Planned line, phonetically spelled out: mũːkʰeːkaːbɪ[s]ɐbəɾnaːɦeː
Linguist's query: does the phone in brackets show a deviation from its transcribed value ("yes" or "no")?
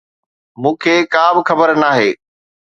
yes